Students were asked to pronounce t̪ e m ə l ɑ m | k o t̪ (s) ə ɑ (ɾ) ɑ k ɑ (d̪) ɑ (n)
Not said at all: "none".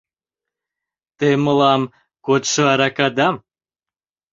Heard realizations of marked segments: ʃ, ɾ, d̪, m

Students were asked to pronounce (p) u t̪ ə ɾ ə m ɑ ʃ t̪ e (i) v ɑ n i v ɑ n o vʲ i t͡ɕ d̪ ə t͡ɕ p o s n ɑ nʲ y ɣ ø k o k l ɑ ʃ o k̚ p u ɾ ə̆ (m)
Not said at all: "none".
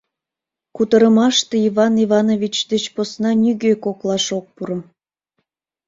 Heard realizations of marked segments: k, i, m

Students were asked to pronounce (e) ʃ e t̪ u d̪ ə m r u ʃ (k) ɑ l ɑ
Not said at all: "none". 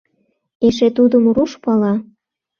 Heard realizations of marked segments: e, p

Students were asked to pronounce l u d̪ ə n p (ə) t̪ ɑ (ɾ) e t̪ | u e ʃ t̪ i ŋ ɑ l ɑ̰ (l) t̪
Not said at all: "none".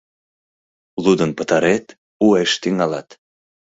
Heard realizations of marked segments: ə, ɾ, none

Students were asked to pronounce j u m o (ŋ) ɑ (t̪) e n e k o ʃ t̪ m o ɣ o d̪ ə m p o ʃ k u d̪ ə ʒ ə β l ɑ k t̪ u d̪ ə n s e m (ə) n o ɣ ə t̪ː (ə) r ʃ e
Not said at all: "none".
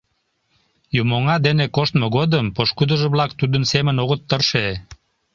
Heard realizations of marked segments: ŋ, d̪, ə, ə

